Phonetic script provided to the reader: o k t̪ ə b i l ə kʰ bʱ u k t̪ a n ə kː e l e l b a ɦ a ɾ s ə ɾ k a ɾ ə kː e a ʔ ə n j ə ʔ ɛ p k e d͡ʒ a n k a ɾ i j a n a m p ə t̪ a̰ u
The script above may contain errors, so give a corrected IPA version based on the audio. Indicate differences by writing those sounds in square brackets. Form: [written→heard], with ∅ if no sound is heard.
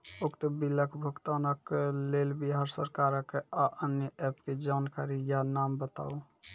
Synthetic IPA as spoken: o k t̪ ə b i l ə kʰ bʱ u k t̪ a n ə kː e l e l b [a→i] ɦ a ɾ s ə ɾ k a ɾ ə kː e a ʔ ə n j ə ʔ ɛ p k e d͡ʒ a n k a ɾ i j a n a m [p→b] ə t̪ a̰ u